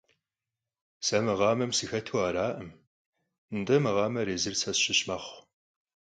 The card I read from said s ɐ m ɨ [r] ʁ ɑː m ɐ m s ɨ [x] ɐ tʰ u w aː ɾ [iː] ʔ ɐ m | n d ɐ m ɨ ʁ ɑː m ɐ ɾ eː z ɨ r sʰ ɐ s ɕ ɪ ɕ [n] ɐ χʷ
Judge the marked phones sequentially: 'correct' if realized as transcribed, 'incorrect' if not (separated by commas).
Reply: incorrect, correct, incorrect, incorrect